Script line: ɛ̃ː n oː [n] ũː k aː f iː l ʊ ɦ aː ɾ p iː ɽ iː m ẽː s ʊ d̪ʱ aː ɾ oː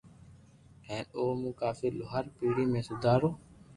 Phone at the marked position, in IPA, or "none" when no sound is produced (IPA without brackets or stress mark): m